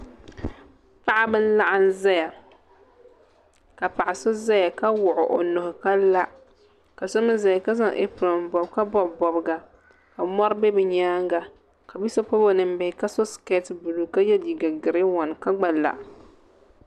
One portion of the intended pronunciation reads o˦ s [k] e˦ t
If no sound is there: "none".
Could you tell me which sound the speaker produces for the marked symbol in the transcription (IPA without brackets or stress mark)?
k